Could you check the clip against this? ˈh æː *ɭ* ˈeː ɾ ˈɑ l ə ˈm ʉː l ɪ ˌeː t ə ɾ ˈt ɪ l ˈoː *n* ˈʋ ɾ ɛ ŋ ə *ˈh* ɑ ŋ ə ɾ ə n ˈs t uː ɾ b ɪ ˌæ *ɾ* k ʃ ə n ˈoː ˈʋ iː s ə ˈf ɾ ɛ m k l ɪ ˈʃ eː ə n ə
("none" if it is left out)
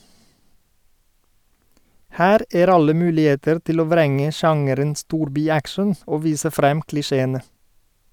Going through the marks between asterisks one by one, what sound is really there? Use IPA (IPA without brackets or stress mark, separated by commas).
ɾ, none, ʃ, none